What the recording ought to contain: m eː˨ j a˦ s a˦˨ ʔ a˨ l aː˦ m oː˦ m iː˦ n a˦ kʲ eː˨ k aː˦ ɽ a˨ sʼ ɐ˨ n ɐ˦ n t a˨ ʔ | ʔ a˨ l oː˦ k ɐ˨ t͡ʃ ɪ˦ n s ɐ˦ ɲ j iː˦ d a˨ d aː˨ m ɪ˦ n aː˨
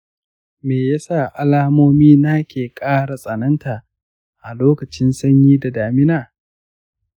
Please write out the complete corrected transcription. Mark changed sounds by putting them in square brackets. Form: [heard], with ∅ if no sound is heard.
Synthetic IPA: m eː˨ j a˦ s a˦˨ ʔ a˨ l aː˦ m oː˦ m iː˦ n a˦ kʲ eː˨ [kʼ] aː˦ ɽ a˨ sʼ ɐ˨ n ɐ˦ n t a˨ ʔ | ʔ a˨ l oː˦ k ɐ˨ t͡ʃ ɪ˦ n s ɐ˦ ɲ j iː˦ d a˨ d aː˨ m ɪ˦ n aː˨